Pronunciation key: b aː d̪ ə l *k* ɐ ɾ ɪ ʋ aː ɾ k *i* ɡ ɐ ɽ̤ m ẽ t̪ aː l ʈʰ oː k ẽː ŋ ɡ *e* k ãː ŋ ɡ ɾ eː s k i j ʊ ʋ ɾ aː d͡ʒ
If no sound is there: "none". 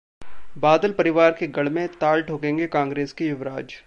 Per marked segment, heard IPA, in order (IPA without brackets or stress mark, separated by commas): p, e, e